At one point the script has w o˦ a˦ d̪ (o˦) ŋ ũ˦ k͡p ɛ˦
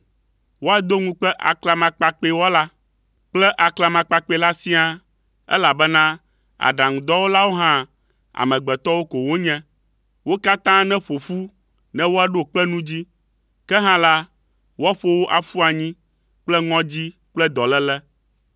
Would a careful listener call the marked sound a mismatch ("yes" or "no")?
no